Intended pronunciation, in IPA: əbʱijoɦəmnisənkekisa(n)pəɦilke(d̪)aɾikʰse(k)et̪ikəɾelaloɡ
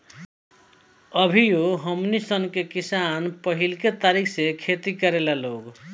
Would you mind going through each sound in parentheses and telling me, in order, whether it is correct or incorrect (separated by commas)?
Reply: correct, incorrect, incorrect